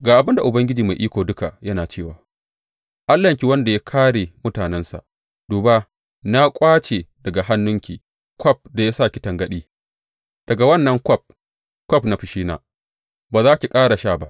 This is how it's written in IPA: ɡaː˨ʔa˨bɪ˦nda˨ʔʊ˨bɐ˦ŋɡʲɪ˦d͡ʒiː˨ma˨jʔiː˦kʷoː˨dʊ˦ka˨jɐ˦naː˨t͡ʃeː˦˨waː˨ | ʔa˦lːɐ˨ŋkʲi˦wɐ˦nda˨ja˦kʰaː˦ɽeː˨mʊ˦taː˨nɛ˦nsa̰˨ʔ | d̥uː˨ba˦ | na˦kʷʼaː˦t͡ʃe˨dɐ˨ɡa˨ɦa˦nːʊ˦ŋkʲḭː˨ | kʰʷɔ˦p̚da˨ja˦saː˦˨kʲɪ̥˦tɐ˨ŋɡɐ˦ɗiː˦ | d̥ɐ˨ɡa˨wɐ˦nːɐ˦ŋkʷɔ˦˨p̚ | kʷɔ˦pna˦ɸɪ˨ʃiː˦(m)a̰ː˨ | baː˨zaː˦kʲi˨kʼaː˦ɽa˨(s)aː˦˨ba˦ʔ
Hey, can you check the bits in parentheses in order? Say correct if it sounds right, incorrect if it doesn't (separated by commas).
incorrect, incorrect